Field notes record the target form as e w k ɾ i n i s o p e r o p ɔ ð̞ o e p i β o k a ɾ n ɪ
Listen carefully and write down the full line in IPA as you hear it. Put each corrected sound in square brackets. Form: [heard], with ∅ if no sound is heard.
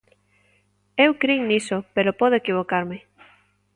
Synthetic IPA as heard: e w k ɾ i n i s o p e [ɾ] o p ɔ ð̞ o e [k] i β o k a ɾ [m] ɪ